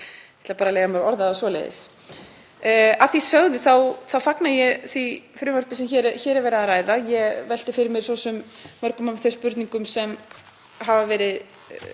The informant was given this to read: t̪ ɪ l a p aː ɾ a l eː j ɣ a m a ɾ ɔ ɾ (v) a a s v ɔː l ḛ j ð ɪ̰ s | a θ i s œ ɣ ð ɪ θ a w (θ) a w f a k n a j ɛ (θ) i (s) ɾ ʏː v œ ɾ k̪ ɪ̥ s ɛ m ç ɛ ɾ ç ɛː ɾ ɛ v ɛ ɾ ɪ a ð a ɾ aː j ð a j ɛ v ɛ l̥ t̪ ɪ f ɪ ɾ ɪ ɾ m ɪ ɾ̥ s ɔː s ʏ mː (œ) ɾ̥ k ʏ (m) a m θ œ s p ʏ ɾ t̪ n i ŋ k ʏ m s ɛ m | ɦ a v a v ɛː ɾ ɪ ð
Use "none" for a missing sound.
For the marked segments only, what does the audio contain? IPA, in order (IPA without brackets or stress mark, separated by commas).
ð, θ, θ, f, œ, m